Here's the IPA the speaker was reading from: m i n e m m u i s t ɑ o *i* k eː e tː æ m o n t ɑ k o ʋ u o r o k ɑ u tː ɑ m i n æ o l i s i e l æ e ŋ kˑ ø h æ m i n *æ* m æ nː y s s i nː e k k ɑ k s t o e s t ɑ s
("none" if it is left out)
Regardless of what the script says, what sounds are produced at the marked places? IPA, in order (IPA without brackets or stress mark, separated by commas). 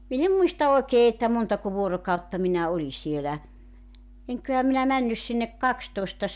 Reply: e, æ